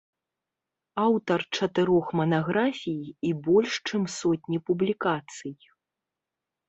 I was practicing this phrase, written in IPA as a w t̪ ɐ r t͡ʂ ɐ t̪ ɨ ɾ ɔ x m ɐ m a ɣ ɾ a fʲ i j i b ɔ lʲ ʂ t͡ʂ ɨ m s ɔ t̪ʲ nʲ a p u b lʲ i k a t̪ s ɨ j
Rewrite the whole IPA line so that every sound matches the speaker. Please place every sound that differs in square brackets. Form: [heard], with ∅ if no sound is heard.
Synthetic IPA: a w t̪ ɐ r t͡ʂ ɐ t̪ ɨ ɾ ɔ x m ɐ [n] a ɣ ɾ a fʲ i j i b ɔ lʲ ʂ t͡ʂ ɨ m s ɔ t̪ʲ nʲ [i] p u b lʲ i k a t̪ s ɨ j

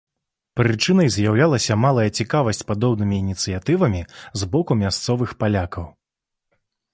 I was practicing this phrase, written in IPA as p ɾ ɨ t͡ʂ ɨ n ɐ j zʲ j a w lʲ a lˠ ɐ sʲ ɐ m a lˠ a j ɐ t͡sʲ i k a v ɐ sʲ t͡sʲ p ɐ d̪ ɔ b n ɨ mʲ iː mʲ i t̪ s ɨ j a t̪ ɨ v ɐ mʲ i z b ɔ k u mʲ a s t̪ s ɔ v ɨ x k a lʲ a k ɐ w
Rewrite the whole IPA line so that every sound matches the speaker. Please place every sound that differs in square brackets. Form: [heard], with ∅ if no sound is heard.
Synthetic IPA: p ɾ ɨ t͡ʂ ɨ n ɐ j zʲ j a w lʲ a lˠ ɐ sʲ ɐ m a lˠ [ɐ] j ɐ t͡sʲ i k a v ɐ sʲ t͡sʲ p [a] d̪ ɔ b n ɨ mʲ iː [nʲ] i t̪ s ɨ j a t̪ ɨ v ɐ mʲ i z b ɔ k u mʲ a s t̪ s ɔ v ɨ x [p] a lʲ a k ɐ w

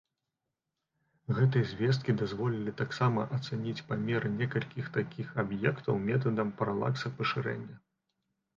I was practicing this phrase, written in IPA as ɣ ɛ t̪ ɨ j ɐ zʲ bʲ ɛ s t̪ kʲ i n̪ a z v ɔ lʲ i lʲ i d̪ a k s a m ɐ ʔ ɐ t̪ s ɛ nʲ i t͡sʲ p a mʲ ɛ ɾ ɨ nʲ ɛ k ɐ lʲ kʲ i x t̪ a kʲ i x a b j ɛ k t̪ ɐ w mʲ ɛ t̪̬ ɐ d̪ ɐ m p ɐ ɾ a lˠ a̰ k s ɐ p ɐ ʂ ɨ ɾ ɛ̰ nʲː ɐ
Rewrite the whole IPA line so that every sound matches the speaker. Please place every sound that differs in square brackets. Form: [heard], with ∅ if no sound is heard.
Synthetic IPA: ɣ ɛ t̪ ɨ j ɐ zʲ [vʲ] ɛ s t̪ kʲ i [d̪] a z v ɔ lʲ i lʲ i [t̪] a k s a m ɐ ʔ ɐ t̪ s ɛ nʲ i t͡sʲ p a mʲ ɛ ɾ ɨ nʲ ɛ k ɐ lʲ kʲ i x t̪ a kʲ i x a b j ɛ k t̪ ɐ w mʲ ɛ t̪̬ ɐ d̪ ɐ m p ɐ ɾ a lˠ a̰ k s ɐ p ɐ ʂ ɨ ɾ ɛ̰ nʲː ɐ

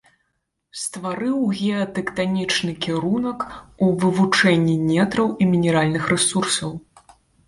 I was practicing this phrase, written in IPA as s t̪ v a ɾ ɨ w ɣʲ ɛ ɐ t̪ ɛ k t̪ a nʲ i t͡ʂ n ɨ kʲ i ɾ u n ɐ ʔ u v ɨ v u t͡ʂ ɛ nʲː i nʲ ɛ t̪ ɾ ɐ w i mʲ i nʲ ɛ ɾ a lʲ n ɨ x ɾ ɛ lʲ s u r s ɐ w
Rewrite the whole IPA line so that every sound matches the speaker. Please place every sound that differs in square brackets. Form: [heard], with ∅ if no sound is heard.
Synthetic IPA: s t̪ v a ɾ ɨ w ɣʲ ɛ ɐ t̪ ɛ k t̪ a nʲ i t͡ʂ n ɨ kʲ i ɾ u n ɐ [k] u v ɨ v u t͡ʂ ɛ nʲː i nʲ ɛ t̪ ɾ ɐ w i mʲ i nʲ ɛ ɾ a lʲ n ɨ x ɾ ɛ [∅] s u r s ɐ w

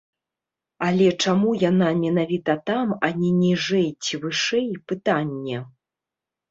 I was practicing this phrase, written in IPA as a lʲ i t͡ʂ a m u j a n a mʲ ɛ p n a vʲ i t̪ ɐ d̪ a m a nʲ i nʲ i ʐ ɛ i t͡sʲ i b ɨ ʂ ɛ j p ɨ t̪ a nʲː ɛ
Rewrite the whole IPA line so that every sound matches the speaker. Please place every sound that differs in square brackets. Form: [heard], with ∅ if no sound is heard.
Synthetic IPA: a lʲ [ɛ] t͡ʂ a m u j a n a mʲ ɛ [∅] n a vʲ i t̪ ɐ [t̪] a m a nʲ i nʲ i ʐ ɛ [j] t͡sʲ i [v] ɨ ʂ ɛ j p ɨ t̪ a nʲː ɛ

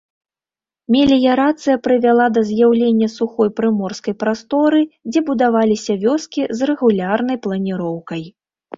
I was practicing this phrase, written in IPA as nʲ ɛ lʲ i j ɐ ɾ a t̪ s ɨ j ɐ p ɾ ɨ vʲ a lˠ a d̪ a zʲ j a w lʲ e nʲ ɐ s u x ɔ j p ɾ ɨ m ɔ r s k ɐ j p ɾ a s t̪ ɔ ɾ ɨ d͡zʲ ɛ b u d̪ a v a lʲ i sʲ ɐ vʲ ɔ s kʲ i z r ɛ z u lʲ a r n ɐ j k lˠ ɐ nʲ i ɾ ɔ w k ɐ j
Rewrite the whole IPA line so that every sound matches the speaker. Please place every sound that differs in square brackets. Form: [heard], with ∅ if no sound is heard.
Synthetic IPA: [mʲ] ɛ lʲ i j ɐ ɾ a t̪ s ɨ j ɐ p ɾ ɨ vʲ a lˠ a d̪ [ɐ] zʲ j a w lʲ e [nʲː] ɐ s u x ɔ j p ɾ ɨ m ɔ r s k ɐ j p ɾ a s t̪ ɔ ɾ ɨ d͡zʲ ɛ b u d̪ a v a lʲ i sʲ ɐ vʲ ɔ s kʲ i z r ɛ [ɣ] u lʲ a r n ɐ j [p] lˠ ɐ nʲ i ɾ ɔ w k ɐ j

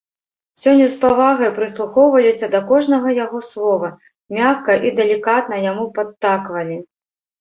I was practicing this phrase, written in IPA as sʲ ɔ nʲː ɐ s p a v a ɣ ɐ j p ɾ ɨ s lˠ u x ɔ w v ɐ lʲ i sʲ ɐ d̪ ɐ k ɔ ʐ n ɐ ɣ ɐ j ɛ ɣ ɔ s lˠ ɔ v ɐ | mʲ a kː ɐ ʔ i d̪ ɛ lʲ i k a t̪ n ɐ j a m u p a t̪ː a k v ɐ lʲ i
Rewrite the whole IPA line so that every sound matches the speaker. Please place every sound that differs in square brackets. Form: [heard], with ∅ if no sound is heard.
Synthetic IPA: sʲ ɔ nʲː ɐ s p a v a ɣ ɐ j p ɾ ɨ s lˠ u x ɔ w v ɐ lʲ i sʲ ɐ d̪ ɐ k ɔ ʐ n ɐ ɣ ɐ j [a] ɣ ɔ s lˠ ɔ v ɐ | mʲ a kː ɐ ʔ i d̪ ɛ lʲ i k a t̪ n ɐ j a m u p a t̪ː a k v ɐ lʲ i

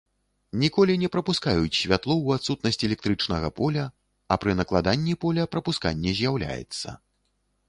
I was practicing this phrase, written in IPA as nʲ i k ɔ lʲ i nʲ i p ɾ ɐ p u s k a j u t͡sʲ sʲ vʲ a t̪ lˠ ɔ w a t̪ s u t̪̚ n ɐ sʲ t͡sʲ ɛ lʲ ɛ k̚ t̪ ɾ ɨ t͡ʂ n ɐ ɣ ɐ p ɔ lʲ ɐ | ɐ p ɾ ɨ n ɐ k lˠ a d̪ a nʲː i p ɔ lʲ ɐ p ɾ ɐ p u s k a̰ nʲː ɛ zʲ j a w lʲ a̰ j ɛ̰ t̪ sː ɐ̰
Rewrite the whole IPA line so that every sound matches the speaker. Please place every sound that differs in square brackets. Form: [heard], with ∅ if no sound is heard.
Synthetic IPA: nʲ i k ɔ lʲ i nʲ [ɛ] p ɾ ɐ p u s k a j u t͡sʲ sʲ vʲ a t̪ lˠ ɔ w a t̪ s u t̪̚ n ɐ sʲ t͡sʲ ɛ lʲ ɛ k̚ t̪ ɾ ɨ t͡ʂ n ɐ ɣ ɐ p ɔ lʲ ɐ | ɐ p ɾ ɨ n ɐ k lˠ a d̪ a nʲː i p ɔ lʲ ɐ p ɾ ɐ p u s k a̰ nʲː ɛ zʲ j a w lʲ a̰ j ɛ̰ t̪ sː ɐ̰

